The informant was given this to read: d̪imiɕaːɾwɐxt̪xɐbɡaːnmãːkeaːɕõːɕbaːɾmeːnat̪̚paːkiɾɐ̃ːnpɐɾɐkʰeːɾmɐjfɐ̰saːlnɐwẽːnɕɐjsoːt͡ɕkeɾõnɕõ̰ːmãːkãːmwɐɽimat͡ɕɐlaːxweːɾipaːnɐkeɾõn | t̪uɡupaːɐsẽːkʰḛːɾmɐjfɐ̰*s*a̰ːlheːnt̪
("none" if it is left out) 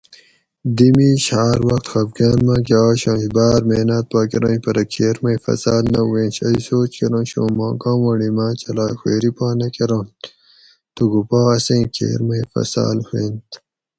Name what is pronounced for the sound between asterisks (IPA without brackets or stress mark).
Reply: s